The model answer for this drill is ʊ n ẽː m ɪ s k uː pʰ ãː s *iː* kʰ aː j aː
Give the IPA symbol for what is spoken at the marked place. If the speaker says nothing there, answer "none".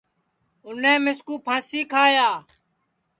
iː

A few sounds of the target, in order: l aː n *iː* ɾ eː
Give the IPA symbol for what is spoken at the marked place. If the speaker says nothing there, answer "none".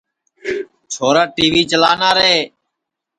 aː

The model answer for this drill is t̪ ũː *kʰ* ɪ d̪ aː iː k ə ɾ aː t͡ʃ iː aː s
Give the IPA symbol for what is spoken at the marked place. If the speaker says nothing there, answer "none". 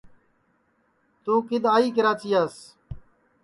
k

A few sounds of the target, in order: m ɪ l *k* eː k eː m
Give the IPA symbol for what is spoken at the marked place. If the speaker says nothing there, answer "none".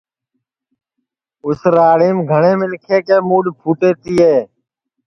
kʰ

